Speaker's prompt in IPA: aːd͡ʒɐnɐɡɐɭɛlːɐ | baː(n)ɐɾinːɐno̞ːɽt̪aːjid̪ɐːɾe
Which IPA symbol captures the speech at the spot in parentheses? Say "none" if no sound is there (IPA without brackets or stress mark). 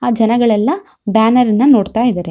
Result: n